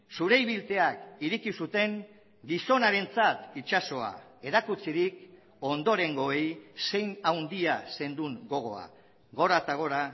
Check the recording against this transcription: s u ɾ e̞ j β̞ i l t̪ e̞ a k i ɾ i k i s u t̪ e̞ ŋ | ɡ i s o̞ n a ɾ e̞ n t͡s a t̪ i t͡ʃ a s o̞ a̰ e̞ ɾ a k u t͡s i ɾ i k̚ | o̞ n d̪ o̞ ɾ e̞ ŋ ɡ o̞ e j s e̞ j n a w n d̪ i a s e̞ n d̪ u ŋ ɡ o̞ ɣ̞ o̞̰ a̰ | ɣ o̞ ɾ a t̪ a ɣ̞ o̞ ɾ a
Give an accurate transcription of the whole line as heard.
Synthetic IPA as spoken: s u ɾ e̞ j β̞ i l t̪ e̞ a k i ɾ i k i s u t̪ e̞ ŋ | ɡ i s o̞ n a ɾ e̞ n t͡s a t̪ i t͡ʃ a s o̞ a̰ e̞ ɾ a k u t͡s i ɾ i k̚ | o̞ n d̪ o̞ ɾ e̞ ŋ ɡ o̞ e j s e̞ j n a w n d̪ i a s e̞ n d̪ u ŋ ɡ o̞ ɣ̞ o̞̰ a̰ | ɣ o̞ ɾ a t̪ a ɣ̞ o̞ ɾ a